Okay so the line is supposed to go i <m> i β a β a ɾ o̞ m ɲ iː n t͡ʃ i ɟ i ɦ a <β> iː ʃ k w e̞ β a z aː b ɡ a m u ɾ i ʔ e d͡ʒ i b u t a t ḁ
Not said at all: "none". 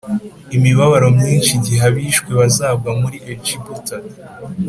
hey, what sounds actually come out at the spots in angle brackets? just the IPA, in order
m, β

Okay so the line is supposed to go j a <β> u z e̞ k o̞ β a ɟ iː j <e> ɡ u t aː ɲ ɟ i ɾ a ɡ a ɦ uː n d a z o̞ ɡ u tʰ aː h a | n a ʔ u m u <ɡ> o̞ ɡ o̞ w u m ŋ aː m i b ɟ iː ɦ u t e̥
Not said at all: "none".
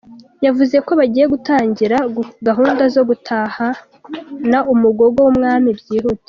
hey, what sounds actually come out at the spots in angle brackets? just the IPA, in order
v, e, ɡ

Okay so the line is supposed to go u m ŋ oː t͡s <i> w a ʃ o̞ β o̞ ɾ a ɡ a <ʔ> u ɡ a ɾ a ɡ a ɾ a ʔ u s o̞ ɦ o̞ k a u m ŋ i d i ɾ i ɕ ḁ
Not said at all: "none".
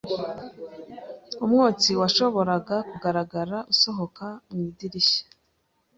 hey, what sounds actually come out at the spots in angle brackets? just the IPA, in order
i, k

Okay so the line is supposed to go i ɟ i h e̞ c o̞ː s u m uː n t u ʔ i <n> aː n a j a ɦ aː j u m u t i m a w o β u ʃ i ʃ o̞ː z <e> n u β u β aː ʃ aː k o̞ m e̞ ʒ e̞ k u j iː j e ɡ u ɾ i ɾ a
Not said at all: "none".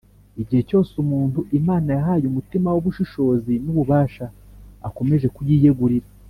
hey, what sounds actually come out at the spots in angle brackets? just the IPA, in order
m, i

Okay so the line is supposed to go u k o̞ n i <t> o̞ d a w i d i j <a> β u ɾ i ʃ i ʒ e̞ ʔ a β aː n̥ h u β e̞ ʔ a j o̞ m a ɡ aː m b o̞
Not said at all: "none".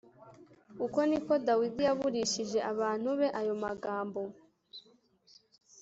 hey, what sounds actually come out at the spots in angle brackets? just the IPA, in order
k, a

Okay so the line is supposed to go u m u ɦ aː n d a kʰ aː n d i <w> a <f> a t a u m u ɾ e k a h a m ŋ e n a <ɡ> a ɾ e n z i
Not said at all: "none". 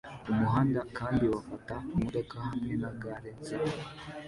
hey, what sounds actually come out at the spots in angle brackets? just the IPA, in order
w, f, ɡ

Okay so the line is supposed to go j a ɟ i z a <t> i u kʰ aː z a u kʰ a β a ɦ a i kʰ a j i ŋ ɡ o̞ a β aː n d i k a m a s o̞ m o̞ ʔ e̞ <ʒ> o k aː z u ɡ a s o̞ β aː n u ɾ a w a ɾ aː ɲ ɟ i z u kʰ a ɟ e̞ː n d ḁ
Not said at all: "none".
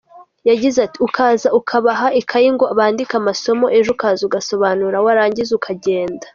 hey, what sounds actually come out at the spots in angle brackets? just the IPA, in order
t, ʒ

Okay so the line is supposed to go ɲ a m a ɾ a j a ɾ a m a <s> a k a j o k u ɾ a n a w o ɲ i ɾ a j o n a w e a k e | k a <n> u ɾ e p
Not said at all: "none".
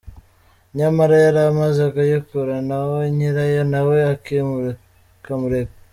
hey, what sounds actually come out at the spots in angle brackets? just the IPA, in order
z, m

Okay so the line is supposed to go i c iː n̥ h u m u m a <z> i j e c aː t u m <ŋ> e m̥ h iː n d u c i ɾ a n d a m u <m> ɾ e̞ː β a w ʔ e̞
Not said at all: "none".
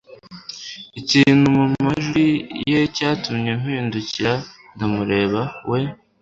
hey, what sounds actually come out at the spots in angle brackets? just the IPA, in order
ʒ, ɲ, none

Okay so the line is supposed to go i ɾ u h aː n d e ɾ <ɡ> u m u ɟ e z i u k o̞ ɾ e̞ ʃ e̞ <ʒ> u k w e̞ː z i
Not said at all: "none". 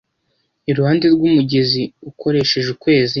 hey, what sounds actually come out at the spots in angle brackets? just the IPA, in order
ɡ, ʒ

